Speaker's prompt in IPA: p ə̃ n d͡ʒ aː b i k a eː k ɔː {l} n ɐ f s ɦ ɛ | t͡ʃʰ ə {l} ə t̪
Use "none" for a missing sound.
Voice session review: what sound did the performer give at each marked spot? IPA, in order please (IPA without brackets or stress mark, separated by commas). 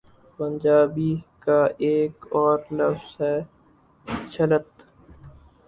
ɾ, l